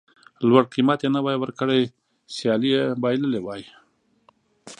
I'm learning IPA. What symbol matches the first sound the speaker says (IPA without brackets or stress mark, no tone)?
l